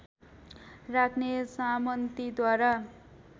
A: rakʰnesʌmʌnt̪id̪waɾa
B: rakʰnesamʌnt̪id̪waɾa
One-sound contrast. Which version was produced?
B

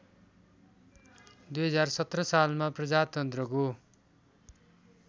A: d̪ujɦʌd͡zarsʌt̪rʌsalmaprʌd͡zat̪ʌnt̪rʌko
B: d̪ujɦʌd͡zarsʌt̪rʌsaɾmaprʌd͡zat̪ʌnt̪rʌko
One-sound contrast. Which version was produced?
A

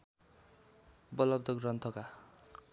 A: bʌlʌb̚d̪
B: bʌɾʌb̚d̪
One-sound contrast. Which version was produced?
A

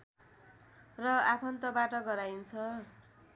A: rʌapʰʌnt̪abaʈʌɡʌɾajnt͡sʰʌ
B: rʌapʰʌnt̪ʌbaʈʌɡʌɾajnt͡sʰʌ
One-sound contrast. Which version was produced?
B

